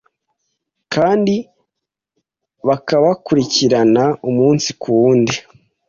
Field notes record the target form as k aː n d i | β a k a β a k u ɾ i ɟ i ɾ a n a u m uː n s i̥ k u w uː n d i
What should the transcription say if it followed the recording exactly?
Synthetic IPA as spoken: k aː n d i | β a k a β a k u ɾ i c i ɾ a n a u m uː n s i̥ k u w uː n d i